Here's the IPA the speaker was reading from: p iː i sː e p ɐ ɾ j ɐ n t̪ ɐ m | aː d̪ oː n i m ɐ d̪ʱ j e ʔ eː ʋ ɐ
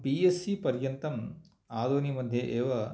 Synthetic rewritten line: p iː e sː i p ɐ ɾ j ɐ n t̪ ɐ m | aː d̪ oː n i m ɐ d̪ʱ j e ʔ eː ʋ ɐ